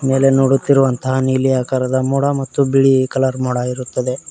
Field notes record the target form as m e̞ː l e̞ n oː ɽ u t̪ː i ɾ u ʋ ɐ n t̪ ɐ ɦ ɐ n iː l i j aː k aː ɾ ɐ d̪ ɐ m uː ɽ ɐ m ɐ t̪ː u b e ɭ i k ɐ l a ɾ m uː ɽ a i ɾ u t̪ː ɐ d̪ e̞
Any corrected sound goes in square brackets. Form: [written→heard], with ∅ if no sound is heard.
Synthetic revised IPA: m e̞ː l e̞ n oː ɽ u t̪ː i ɾ u ʋ ɐ n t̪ ɐ ɦ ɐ n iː l i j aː k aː ɾ ɐ d̪ ɐ m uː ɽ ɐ m ɐ t̪ː u b [e→i] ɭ i k ɐ l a ɾ m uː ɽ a i ɾ u t̪ː ɐ d̪ e̞